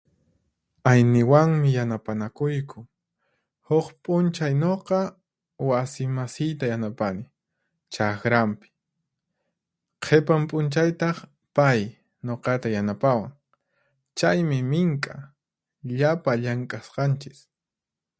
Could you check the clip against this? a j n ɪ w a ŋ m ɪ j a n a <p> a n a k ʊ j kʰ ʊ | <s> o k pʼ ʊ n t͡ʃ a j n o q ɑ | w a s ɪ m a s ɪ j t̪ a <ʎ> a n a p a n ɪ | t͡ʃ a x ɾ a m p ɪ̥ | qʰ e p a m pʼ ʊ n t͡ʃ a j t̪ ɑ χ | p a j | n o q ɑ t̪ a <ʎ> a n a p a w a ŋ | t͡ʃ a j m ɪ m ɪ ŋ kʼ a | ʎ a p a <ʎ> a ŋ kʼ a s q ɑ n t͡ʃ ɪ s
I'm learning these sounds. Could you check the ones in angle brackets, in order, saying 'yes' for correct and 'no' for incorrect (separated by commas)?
yes, no, no, no, yes